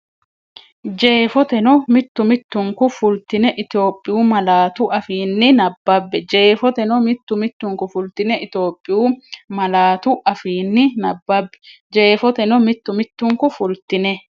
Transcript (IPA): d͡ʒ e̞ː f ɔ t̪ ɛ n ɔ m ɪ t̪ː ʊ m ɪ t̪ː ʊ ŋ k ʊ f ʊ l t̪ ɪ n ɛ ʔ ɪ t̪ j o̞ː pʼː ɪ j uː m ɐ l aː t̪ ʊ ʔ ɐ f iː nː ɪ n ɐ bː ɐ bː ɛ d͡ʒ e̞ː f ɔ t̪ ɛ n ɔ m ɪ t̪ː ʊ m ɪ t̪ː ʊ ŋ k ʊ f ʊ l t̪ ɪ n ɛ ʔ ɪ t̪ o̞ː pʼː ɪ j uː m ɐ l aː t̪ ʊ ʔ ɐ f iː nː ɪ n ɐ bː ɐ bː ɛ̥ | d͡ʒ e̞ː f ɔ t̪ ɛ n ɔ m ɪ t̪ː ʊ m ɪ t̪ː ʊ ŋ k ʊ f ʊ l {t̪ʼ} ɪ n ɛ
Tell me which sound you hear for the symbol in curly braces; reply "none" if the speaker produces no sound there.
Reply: t̪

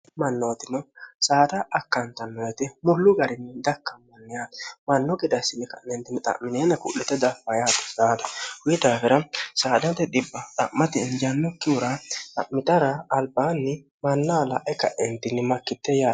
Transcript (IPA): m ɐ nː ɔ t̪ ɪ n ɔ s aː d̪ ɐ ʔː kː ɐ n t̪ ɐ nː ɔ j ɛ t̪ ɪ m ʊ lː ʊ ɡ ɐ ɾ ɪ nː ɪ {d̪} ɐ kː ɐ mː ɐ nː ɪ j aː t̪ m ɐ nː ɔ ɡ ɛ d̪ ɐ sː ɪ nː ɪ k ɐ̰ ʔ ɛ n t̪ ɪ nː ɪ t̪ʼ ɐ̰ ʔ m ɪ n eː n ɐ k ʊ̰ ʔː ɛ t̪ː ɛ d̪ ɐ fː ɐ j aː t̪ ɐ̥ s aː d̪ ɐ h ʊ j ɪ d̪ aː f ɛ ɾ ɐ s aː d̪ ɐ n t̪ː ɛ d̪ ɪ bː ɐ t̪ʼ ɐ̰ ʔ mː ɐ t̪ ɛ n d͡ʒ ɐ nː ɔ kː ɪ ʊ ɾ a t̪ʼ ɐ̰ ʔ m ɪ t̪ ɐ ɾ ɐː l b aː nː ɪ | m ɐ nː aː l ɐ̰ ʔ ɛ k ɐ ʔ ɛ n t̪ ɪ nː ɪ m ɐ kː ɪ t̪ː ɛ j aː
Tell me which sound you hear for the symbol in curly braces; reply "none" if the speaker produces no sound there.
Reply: d̪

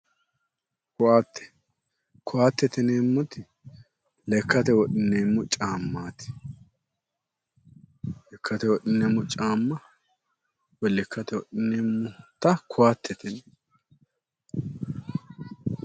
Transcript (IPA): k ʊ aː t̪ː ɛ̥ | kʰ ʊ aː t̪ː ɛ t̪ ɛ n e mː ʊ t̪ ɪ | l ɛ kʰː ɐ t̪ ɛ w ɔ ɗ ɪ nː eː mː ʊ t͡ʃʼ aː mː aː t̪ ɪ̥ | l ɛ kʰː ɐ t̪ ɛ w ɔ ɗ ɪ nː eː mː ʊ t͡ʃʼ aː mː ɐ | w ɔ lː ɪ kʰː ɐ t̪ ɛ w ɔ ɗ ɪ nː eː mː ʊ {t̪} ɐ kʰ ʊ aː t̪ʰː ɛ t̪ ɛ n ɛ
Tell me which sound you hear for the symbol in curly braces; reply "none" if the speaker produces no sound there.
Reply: t̪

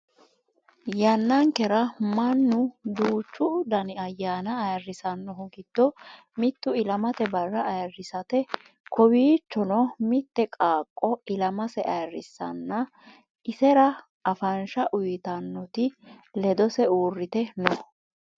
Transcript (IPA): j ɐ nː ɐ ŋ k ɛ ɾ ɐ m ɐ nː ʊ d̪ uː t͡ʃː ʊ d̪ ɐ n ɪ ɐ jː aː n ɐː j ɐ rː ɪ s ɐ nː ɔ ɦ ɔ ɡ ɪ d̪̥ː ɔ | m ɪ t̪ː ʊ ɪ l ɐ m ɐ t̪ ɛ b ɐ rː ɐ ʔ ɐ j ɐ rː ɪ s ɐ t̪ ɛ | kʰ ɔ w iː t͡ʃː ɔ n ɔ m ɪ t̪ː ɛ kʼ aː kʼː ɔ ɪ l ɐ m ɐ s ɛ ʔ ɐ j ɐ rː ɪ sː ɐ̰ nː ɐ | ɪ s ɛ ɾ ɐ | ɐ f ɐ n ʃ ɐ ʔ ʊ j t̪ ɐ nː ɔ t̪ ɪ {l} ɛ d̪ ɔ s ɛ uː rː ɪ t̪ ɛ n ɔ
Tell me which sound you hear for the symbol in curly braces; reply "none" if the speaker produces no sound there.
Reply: l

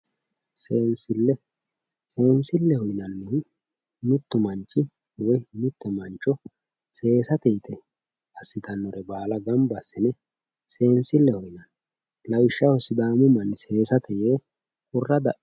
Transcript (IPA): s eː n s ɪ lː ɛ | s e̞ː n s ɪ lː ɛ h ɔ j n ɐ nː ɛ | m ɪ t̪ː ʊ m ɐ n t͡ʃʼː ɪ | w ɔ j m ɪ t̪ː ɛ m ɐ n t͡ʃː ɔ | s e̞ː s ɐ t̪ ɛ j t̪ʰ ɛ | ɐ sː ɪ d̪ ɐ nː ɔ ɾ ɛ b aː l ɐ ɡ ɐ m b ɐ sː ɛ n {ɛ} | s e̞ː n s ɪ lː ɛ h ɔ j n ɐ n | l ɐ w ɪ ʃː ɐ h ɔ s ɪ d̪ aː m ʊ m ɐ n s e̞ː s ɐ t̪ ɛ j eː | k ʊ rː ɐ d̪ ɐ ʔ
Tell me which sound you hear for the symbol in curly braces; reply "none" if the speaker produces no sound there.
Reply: ɛ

